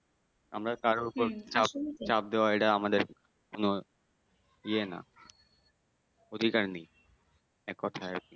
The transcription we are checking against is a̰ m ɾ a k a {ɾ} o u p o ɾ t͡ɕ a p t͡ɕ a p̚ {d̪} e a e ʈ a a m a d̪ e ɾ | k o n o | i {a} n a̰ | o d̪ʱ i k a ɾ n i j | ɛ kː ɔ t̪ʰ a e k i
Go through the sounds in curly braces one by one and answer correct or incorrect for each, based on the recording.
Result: correct, correct, incorrect

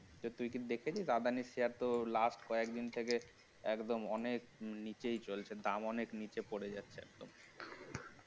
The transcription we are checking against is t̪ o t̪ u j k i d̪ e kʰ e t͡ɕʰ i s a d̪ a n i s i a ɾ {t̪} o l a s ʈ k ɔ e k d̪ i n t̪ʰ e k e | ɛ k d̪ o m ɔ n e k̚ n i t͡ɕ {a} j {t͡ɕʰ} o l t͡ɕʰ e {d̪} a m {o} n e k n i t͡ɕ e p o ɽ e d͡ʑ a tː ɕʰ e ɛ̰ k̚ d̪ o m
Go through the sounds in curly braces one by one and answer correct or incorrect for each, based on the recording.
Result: correct, incorrect, incorrect, correct, incorrect

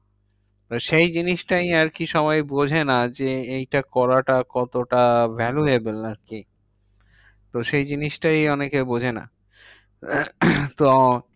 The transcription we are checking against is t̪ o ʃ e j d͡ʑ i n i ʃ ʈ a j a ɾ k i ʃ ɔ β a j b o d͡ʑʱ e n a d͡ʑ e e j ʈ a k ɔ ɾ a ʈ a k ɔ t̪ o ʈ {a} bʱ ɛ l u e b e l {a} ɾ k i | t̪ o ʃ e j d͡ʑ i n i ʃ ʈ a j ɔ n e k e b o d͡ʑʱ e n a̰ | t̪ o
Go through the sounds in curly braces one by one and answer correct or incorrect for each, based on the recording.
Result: correct, correct

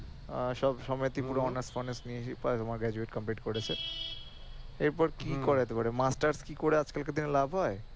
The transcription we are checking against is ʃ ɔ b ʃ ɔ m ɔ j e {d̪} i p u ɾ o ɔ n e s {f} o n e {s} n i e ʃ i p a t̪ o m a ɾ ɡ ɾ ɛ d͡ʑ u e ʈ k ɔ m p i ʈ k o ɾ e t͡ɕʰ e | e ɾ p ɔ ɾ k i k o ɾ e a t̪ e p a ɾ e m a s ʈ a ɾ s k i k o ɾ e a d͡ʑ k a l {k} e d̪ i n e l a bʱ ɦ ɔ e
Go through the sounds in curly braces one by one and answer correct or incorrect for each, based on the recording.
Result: incorrect, correct, correct, correct

